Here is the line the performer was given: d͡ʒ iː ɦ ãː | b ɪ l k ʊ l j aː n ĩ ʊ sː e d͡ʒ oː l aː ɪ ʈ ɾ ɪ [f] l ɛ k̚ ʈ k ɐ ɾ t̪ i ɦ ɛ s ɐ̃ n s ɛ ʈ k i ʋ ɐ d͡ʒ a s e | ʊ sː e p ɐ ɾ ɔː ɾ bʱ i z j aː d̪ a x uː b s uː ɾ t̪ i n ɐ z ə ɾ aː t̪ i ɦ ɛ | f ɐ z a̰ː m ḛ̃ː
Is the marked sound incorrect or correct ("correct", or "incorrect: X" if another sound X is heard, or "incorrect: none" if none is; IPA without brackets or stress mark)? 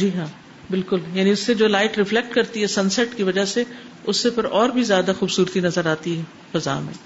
correct